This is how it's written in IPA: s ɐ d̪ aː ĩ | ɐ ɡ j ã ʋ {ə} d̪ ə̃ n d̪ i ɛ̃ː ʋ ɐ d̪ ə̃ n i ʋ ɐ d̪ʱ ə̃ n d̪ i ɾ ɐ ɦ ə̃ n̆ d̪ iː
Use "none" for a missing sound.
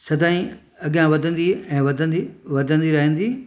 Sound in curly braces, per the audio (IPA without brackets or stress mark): ɐ